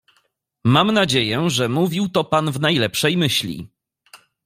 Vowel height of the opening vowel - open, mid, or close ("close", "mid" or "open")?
open